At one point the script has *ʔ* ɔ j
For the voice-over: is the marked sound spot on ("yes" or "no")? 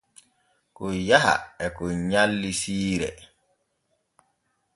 no